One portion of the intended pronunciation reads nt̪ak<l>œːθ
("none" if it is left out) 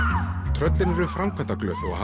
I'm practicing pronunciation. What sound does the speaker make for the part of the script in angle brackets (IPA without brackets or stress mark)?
l